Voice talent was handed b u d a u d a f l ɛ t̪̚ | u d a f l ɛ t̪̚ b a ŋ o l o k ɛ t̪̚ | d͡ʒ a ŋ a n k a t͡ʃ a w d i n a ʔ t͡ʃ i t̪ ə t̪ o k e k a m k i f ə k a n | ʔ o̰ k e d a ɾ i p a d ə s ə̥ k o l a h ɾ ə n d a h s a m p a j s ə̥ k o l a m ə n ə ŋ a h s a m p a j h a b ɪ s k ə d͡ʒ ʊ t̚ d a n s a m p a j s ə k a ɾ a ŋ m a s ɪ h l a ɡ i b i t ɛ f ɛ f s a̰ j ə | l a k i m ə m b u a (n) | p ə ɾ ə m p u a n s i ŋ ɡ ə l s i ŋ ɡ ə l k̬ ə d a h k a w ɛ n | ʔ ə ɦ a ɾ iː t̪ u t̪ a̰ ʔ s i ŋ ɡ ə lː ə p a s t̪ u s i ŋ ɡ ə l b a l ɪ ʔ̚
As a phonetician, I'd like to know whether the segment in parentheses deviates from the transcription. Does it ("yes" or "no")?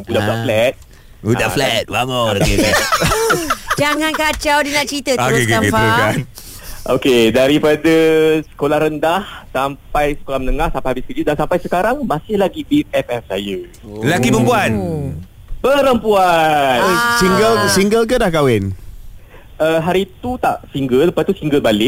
no